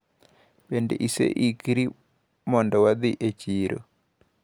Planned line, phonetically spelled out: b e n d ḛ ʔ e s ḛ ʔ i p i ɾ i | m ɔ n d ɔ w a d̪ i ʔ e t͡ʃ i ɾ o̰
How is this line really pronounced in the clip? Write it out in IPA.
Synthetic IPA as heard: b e n d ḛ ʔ i s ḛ ʔ i k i ɾ i | m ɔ n d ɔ w a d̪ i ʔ e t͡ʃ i ɾ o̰